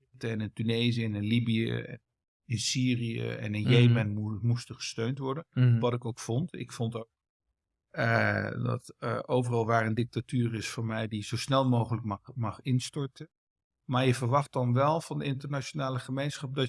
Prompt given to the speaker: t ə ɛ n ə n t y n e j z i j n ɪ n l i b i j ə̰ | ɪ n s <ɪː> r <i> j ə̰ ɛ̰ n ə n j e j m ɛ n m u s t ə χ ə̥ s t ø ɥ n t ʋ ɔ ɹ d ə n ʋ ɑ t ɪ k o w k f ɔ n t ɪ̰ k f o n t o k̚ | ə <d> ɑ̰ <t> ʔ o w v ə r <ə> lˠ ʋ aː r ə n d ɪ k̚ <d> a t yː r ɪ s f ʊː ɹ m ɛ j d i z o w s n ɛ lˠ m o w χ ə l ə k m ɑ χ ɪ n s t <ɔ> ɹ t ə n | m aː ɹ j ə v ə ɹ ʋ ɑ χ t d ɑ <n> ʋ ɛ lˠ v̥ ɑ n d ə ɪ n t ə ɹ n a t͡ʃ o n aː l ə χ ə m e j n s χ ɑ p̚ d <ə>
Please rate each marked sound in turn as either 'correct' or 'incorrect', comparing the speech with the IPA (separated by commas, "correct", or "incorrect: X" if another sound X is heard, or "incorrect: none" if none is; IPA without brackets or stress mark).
incorrect: iː, correct, correct, correct, incorrect: ɑ, incorrect: t, correct, correct, incorrect: ɑ